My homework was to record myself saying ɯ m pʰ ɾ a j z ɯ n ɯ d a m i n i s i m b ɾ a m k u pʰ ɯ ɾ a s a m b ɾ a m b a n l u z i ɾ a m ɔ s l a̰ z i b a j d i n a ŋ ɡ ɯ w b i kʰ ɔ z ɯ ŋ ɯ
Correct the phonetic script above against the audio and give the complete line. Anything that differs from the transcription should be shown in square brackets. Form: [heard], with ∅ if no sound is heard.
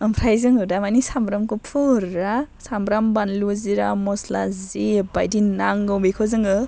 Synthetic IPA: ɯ m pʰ ɾ a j z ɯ [ŋ] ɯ d a m [a] n i s [a] m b ɾ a m k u pʰ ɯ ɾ a s a m b ɾ a m b a n l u z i ɾ a m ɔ s l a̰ z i b a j d i n a ŋ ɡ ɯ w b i kʰ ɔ z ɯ ŋ ɯ